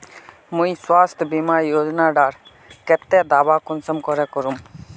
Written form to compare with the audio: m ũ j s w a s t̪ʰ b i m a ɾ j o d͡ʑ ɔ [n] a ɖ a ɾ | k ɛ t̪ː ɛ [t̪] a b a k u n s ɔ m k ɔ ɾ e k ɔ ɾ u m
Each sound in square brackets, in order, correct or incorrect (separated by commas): correct, incorrect